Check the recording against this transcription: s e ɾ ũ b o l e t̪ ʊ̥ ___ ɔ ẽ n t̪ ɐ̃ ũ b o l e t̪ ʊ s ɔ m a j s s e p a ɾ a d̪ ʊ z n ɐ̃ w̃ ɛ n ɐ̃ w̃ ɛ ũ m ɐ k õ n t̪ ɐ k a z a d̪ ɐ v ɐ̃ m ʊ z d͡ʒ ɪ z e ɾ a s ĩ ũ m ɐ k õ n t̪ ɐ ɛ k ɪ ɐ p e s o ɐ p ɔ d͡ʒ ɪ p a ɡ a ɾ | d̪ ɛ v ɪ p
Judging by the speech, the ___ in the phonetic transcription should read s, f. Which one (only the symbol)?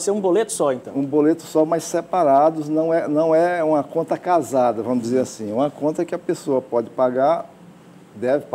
s